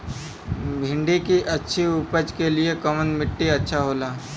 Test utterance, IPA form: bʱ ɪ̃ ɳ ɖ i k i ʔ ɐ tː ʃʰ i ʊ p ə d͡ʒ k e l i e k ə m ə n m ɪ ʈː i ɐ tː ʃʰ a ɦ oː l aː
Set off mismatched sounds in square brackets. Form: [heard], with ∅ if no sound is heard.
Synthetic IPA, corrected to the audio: bʱ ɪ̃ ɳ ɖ i k i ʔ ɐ tː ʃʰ i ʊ p ə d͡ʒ k e l i e k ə m ə n m ɪ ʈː i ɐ tː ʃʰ a ɦ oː l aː

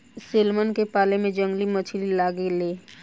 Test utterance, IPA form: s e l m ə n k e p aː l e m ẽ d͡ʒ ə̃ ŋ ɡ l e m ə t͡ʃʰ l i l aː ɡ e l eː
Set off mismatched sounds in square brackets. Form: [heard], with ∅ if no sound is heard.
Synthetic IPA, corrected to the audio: s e l m ə n k e p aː l e m ẽ d͡ʒ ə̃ ŋ ɡ l [i] m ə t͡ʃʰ l i l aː ɡ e l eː

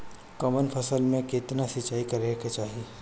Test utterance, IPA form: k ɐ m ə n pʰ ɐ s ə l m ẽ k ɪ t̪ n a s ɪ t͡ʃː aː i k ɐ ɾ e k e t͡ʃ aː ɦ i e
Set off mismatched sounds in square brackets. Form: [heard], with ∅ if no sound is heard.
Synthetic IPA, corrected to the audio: k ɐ m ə n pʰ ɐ s ə l m ẽ k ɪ t̪ n a s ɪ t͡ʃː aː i k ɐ ɾ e k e t͡ʃ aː ɦ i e

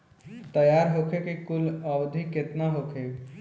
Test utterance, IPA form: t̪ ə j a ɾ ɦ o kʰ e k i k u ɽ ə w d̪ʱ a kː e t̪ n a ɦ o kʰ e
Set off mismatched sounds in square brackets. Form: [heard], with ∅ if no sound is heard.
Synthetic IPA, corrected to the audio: t̪ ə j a ɾ ɦ o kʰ e k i k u [l] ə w d̪ʱ [i] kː e t̪ n a ɦ o kʰ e

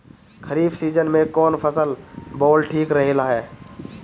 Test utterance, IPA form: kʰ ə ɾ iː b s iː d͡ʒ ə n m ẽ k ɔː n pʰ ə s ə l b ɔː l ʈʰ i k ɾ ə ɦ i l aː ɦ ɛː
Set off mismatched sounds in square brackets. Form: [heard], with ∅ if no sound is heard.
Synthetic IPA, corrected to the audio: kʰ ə ɾ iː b s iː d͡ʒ ə n m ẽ k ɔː n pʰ ə s ə l b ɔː l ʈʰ [iː] k ɾ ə ɦ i l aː ɦ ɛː

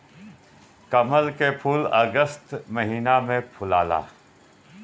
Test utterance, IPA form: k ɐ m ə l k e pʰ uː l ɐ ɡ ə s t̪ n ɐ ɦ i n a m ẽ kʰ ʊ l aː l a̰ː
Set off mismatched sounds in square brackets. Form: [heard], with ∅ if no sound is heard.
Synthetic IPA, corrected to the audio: k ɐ m ə l k e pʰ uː l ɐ ɡ ə s t̪ [m] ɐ ɦ [iː] n a m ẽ [pʰ] ʊ l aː l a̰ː

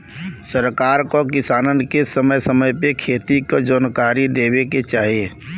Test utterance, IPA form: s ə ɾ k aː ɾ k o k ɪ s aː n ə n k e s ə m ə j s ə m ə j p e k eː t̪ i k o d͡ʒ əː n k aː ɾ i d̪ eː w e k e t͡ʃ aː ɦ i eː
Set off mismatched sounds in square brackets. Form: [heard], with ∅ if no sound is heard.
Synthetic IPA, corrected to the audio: s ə ɾ k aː ɾ k o k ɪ s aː n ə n k e s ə m ə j s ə m ə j p e [kʰ] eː t̪ i k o d͡ʒ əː n k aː ɾ i d̪ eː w e k e t͡ʃ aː ɦ i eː

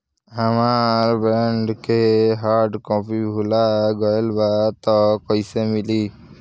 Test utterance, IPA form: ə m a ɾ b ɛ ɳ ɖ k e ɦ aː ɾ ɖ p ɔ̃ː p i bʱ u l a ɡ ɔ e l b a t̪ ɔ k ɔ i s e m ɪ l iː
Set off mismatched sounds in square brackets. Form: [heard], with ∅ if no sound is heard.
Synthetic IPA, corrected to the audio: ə m a ɾ b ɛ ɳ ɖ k e ɦ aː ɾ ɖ [k] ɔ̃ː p i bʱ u l a ɡ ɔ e l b a t̪ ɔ k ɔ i s e m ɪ l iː

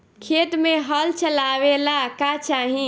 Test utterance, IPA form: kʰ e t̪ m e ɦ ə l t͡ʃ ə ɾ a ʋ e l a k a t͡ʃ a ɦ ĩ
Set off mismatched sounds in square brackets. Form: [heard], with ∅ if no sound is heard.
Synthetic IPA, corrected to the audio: kʰ e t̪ m e ɦ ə l t͡ʃ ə [l] a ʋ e l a k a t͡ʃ a ɦ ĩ

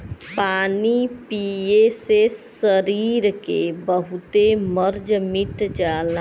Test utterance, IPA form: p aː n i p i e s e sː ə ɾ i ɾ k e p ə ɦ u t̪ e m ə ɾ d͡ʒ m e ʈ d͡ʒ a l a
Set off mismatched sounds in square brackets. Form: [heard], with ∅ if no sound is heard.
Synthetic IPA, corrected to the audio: p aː n i p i e s e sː ə ɾ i ɾ k e [b] ə ɦ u t̪ e m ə ɾ d͡ʒ m [i] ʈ d͡ʒ a l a

